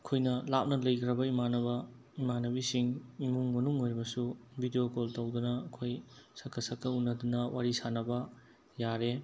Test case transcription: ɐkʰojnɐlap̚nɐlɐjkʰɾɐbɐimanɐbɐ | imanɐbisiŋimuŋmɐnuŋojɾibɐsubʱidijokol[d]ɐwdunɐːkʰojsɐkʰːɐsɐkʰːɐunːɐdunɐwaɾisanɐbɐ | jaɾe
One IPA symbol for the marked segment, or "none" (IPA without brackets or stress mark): t